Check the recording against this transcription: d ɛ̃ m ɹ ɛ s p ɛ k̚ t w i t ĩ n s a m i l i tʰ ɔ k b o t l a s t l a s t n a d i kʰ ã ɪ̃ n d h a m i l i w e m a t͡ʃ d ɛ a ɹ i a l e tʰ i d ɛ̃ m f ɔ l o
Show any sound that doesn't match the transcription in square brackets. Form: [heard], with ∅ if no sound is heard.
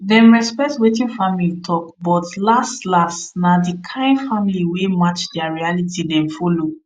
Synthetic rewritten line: d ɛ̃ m ɹ ɛ s p ɛ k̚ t w [e] t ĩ n [f] a m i l i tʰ ɔ k b [ɔ] t l a s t l a s t n a d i kʰ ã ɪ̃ n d [f] a m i l i w e m a t͡ʃ d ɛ a ɹ i a l [i] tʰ i d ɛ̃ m f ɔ l o